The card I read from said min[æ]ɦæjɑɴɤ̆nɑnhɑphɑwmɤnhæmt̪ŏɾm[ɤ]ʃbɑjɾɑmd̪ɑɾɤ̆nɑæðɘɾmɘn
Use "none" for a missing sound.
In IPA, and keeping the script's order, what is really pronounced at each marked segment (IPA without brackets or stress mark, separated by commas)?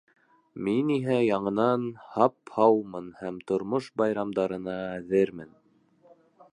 i, o